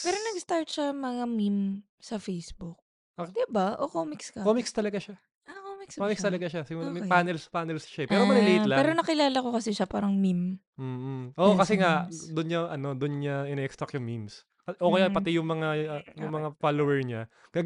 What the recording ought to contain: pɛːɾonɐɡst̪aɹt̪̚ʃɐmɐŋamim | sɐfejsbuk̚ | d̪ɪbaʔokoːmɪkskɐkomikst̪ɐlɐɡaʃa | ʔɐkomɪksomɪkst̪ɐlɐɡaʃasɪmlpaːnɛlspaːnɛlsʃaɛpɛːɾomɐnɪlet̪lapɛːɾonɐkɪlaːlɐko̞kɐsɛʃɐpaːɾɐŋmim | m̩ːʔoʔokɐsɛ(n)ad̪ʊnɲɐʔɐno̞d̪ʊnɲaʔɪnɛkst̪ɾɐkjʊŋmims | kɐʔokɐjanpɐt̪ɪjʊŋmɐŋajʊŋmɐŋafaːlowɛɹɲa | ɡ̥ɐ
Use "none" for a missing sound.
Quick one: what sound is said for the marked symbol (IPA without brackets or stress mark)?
ŋ